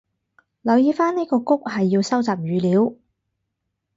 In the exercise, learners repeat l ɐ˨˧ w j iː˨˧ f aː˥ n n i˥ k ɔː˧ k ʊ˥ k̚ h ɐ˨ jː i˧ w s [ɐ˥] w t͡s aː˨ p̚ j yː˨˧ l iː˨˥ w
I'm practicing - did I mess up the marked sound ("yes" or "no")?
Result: no